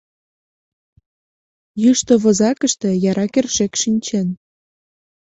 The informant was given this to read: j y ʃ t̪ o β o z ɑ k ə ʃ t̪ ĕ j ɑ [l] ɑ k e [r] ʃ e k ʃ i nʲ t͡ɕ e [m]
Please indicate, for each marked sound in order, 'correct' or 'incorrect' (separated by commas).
incorrect, correct, incorrect